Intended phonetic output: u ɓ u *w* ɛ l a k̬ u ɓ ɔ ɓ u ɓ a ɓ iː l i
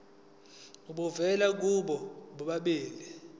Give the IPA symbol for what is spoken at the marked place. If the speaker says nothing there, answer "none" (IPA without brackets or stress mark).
v